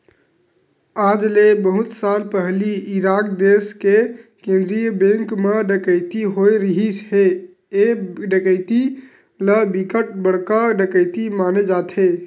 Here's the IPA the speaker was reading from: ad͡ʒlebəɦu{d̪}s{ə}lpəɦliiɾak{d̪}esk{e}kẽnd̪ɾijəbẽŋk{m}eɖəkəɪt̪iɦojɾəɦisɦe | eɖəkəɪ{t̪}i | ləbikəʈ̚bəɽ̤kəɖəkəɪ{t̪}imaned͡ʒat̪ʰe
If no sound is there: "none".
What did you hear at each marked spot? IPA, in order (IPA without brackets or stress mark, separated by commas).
t̪, a, d̪, e, m, t̪, t̪